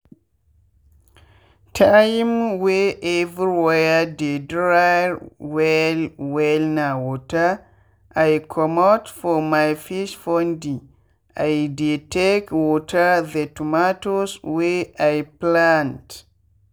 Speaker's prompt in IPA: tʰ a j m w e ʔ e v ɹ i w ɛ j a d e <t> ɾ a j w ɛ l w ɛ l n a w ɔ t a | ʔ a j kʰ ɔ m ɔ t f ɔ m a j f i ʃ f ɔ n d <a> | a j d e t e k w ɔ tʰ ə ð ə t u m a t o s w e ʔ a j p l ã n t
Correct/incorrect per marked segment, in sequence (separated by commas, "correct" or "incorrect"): incorrect, incorrect